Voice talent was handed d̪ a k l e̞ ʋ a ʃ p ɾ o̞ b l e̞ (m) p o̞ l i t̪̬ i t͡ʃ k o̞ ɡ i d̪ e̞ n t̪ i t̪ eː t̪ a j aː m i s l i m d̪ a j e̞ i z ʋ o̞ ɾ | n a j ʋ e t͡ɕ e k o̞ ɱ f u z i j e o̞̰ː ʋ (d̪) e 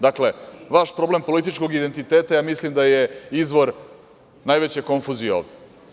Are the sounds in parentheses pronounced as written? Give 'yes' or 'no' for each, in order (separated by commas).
yes, yes